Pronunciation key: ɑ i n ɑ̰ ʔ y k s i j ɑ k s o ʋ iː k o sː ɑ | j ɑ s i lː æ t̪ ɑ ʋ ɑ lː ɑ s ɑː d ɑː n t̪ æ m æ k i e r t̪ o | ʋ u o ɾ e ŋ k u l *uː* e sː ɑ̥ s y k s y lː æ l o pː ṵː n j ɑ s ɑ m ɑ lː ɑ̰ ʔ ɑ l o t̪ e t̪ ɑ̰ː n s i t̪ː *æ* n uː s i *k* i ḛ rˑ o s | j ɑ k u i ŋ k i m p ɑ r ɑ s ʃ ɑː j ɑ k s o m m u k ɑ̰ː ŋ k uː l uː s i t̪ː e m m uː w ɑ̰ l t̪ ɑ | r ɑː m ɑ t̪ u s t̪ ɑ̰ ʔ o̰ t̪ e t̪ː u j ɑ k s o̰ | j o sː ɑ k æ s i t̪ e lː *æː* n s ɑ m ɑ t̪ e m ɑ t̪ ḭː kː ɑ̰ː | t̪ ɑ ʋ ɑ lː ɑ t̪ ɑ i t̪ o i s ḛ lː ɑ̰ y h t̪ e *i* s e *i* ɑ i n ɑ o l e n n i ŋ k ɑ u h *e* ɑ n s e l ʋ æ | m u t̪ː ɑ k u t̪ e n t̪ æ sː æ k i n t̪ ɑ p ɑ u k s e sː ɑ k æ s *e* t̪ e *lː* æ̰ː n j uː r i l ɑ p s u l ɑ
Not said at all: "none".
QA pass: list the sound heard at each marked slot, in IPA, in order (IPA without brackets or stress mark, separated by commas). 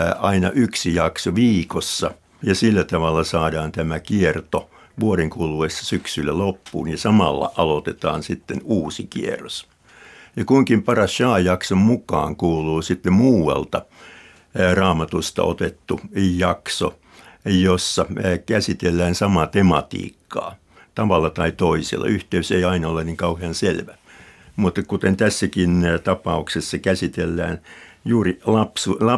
u, e, k, æː, y, i, e, i, lː